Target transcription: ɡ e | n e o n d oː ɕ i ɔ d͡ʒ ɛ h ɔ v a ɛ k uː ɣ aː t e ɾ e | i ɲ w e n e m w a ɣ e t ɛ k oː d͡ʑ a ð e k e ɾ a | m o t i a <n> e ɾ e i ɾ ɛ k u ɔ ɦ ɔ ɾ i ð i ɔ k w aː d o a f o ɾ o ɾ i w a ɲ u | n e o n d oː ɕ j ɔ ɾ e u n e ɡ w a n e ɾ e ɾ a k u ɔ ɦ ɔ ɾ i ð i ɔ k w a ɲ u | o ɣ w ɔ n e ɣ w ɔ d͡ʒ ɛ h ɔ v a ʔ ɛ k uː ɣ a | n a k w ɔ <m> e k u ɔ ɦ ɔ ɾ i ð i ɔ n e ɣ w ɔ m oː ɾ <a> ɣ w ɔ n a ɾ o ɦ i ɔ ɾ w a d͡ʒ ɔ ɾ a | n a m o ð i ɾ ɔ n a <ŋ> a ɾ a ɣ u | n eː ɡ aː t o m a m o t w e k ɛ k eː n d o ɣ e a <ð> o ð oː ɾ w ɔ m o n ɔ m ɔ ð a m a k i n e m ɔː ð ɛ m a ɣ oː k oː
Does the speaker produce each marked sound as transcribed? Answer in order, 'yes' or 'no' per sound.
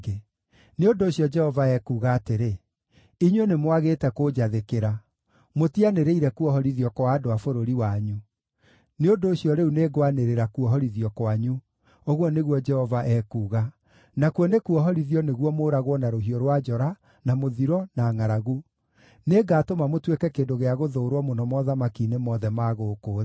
yes, no, yes, yes, no

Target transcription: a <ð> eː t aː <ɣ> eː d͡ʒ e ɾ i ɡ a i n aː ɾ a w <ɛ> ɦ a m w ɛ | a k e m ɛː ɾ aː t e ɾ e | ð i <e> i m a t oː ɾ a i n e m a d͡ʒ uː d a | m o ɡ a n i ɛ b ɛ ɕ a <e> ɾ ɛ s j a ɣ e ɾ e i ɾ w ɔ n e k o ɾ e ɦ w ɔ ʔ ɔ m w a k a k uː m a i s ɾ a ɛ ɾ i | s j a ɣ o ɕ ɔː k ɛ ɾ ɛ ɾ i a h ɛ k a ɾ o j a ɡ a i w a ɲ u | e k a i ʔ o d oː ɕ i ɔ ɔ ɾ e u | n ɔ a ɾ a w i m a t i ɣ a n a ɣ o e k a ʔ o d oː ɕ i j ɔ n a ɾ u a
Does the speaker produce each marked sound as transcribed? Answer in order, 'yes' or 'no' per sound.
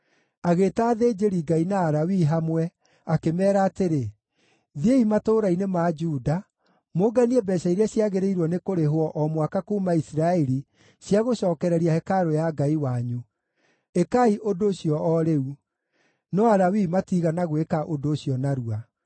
no, no, no, yes, no

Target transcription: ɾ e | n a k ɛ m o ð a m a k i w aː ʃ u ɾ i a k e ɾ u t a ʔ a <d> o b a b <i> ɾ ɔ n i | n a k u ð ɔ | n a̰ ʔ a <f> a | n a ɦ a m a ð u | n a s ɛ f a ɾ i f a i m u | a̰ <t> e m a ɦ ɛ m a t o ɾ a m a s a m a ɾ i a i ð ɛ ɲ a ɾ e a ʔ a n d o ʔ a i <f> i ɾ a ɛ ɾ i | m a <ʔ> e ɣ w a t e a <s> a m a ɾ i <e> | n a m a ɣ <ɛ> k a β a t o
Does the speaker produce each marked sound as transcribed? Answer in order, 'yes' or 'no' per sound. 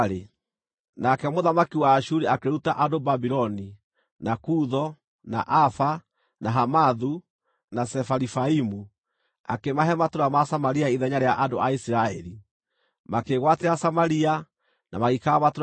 yes, yes, yes, no, no, no, yes, no, no

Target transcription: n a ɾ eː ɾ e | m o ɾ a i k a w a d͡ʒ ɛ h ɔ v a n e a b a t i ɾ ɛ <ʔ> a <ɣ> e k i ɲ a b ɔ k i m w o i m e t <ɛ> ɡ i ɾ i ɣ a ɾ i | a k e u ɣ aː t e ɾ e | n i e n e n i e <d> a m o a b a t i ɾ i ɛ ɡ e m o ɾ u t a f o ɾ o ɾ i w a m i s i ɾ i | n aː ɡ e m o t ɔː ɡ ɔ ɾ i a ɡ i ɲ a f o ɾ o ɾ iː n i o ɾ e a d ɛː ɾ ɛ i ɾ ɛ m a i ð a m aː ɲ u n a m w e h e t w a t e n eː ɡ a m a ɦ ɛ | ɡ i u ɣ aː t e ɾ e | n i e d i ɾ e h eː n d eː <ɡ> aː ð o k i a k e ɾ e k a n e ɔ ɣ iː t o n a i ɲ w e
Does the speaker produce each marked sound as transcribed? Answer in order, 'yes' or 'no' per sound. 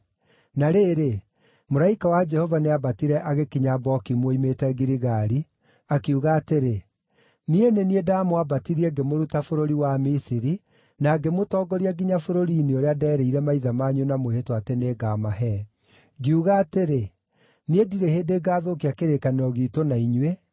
yes, yes, yes, yes, yes

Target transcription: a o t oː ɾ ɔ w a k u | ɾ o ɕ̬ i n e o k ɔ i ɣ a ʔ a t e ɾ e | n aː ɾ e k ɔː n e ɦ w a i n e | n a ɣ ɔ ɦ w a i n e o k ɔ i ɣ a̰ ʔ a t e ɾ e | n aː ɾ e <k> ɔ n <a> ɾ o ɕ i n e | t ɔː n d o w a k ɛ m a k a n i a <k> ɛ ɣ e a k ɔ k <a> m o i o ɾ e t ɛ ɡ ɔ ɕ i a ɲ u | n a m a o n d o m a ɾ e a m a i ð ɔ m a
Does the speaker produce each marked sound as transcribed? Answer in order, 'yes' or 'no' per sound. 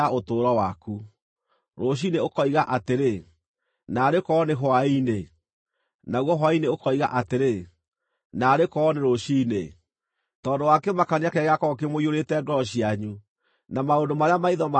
yes, no, yes, no

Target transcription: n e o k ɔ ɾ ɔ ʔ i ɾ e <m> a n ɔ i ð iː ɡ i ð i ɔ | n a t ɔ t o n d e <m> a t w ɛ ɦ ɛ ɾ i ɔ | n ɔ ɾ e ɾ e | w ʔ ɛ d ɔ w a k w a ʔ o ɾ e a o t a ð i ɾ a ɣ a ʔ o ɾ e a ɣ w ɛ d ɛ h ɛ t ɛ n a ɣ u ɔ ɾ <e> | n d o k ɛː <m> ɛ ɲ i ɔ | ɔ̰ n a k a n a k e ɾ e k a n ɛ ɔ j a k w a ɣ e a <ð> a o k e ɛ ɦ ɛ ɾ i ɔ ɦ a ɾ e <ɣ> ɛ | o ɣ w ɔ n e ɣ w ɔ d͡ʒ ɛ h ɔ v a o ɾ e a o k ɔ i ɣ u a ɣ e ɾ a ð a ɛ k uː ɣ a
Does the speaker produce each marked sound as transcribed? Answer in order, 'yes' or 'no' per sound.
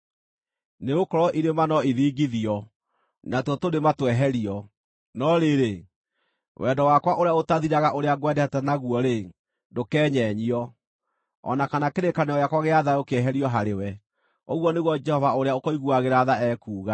yes, yes, yes, no, yes, no

